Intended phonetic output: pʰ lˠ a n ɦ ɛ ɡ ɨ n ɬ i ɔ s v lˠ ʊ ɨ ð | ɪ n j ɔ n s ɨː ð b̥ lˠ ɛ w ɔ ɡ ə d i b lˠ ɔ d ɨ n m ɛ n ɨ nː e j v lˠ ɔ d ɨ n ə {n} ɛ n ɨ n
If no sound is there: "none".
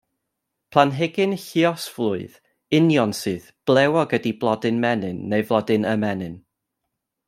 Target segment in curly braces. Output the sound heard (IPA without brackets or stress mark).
m